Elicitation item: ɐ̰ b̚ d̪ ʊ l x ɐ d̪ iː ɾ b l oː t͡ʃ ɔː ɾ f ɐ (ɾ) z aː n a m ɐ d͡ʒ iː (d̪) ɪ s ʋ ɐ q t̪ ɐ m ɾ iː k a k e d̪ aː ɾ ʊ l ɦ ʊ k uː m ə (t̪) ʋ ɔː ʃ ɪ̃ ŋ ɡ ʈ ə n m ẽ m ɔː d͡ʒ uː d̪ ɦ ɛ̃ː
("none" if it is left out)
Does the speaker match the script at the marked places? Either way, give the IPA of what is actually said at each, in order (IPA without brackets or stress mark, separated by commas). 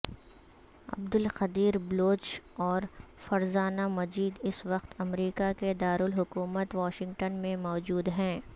ɾ, d̪, t̪